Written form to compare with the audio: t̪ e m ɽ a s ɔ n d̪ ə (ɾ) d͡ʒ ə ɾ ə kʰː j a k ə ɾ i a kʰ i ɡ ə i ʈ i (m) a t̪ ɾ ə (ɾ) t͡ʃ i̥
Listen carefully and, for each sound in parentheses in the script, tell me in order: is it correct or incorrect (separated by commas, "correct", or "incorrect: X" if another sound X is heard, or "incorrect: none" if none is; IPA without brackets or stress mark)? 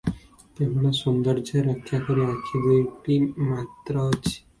correct, correct, incorrect: none